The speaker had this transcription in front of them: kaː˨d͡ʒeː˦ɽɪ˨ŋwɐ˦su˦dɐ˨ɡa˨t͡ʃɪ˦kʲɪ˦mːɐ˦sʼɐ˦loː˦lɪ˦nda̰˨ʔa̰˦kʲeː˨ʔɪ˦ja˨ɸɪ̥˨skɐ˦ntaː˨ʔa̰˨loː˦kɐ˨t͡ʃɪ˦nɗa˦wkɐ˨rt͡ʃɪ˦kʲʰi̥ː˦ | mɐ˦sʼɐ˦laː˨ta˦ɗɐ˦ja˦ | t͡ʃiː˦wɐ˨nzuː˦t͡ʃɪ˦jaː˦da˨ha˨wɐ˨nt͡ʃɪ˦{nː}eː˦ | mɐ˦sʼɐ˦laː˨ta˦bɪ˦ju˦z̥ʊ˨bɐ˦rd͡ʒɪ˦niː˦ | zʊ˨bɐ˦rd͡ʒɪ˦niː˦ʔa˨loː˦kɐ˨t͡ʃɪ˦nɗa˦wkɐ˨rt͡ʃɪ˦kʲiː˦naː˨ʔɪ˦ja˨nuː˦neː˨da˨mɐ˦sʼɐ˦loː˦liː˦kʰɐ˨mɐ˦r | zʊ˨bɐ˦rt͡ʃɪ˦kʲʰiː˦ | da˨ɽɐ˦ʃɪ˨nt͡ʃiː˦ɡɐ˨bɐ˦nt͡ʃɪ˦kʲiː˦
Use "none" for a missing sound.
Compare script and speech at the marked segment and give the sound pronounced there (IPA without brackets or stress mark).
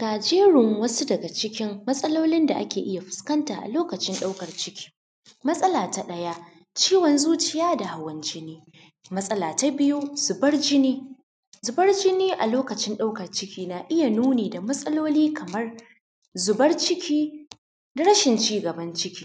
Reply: n